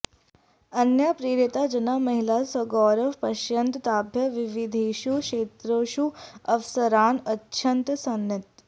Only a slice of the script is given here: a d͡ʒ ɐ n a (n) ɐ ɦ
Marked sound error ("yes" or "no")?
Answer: yes